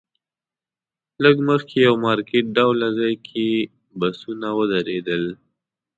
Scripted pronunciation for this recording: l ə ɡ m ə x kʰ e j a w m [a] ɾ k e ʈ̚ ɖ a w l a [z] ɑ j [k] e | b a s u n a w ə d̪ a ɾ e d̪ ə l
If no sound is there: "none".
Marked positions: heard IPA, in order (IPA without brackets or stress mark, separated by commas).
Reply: ɑ, z, kʰ